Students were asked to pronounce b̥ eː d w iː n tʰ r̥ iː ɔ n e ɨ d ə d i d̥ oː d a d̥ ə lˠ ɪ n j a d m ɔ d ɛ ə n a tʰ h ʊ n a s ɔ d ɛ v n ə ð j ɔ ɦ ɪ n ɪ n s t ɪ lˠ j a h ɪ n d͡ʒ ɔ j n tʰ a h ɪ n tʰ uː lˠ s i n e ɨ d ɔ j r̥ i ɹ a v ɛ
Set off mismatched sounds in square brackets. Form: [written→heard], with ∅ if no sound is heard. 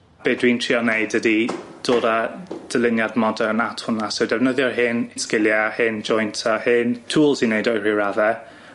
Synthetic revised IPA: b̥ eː d w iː n tʰ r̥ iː ɔ n e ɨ d ə d i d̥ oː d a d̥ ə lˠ ɪ n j a d m ɔ d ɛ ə n a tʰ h ʊ n a s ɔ d ɛ v n ə ð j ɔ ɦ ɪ n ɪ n s [t→k] ɪ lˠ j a h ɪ n d͡ʒ ɔ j n tʰ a h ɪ n tʰ uː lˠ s i n e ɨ d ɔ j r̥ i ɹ a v ɛ